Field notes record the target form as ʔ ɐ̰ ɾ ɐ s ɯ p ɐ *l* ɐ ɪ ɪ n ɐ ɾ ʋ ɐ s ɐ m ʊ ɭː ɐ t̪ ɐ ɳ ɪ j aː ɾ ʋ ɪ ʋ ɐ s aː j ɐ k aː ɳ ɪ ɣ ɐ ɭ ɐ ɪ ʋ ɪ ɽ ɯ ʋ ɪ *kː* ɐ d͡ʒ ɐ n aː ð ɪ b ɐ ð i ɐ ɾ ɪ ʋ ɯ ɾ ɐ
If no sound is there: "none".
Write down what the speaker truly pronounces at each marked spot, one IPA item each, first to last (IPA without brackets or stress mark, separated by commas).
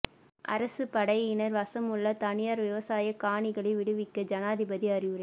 ɽ, kː